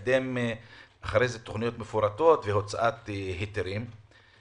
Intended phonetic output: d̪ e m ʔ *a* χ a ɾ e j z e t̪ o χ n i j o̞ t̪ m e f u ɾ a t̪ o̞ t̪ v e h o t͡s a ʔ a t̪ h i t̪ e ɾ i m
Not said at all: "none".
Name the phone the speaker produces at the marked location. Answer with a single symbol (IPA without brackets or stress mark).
a